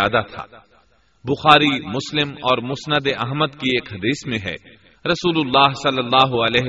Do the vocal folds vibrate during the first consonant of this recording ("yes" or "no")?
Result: yes